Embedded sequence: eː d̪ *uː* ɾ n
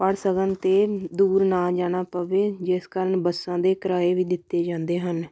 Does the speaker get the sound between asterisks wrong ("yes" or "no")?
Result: no